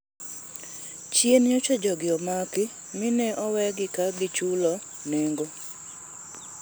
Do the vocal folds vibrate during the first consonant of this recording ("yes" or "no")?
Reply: no